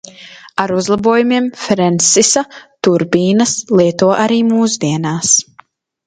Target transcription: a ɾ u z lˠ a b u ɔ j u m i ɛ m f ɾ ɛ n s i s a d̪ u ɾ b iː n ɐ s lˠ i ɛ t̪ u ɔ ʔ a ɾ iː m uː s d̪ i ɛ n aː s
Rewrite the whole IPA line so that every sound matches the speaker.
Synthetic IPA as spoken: a ɾ u z lˠ a b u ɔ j u m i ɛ m f ɾ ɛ n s i s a t̪ u ɾ b iː n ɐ s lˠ i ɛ t̪ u ɔ ʔ a ɾ iː m uː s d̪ i ɛ n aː s